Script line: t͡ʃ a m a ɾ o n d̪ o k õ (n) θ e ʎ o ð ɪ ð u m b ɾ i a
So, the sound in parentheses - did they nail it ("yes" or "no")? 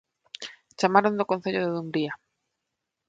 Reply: yes